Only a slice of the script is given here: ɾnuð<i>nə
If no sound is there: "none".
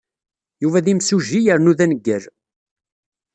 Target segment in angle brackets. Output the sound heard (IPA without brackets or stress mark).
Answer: æ